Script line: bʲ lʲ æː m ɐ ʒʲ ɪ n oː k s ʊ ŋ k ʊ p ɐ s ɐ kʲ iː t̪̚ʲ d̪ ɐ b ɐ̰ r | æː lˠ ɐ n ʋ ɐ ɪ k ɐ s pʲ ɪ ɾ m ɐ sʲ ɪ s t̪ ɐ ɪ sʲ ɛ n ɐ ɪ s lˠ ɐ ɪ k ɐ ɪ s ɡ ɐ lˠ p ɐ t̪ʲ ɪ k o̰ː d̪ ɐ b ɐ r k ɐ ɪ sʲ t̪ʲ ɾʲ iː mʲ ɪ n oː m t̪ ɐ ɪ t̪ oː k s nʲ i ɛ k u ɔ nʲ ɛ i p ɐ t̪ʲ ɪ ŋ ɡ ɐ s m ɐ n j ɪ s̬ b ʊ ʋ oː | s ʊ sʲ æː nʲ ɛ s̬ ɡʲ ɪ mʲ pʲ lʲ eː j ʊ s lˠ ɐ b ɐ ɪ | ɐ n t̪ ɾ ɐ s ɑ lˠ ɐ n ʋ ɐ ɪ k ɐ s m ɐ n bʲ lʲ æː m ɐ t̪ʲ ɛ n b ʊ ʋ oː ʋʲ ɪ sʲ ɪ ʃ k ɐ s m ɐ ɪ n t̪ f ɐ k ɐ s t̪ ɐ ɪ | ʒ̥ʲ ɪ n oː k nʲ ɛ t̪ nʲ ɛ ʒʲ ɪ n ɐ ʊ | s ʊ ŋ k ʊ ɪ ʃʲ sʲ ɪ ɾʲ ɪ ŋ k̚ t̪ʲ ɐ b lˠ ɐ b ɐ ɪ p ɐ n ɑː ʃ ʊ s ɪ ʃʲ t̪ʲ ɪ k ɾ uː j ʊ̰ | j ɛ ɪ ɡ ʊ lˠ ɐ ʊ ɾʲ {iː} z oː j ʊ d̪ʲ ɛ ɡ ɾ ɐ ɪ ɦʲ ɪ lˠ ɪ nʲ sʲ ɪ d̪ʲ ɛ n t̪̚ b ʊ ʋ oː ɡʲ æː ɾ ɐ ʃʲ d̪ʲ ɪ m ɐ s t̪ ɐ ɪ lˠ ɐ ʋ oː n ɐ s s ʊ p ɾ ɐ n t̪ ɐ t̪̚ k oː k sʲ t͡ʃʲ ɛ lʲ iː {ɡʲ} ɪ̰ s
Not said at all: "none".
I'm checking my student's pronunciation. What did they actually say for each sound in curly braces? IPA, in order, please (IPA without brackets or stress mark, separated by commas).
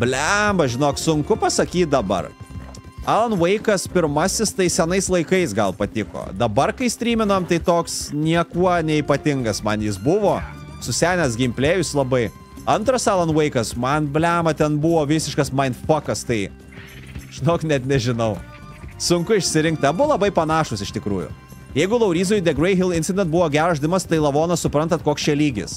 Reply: iː, ɡʲ